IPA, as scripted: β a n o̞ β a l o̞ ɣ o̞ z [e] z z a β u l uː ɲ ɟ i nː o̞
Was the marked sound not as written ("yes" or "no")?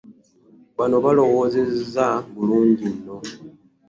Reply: no